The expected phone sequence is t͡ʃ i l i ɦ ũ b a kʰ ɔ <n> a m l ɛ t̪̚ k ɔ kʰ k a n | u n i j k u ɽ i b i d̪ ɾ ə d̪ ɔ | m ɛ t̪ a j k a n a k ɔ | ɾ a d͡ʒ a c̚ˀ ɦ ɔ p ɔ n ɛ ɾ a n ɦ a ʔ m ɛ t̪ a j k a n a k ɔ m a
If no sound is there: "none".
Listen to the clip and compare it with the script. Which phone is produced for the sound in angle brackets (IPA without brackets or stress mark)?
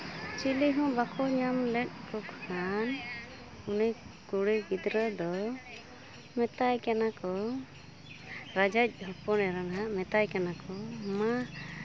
ɲ